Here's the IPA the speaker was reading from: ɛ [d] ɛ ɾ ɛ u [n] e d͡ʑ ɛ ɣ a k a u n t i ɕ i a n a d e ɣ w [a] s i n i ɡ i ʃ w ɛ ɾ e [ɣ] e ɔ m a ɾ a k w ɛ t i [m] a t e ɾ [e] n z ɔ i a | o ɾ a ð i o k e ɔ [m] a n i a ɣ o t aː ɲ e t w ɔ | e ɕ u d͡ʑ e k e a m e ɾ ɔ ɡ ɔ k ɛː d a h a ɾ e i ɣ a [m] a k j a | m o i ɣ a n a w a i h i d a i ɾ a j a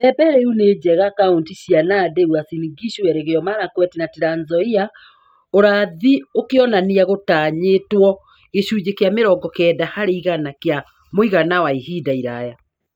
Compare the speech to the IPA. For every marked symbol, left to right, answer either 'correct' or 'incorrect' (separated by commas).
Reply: incorrect, correct, correct, correct, incorrect, incorrect, incorrect, incorrect